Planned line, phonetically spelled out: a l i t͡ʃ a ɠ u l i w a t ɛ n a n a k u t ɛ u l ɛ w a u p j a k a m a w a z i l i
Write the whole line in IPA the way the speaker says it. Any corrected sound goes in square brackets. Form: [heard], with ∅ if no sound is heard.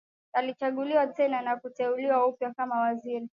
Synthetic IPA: a l i t͡ʃ a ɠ u l i w a t ɛ n a n a k u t ɛ u l [i] w a u p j a k a m a w a z i [ɾ] i